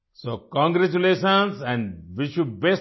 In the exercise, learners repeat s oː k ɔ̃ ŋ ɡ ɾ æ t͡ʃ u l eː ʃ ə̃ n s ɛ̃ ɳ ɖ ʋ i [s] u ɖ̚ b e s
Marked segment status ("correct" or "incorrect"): incorrect